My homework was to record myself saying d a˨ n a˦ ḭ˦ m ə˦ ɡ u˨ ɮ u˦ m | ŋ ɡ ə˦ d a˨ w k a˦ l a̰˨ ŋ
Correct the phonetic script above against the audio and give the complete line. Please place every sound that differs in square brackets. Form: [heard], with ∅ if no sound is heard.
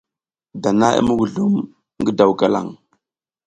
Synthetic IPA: d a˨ n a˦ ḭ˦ m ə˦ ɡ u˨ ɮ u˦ m | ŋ ɡ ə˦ d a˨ w k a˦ l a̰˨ ŋ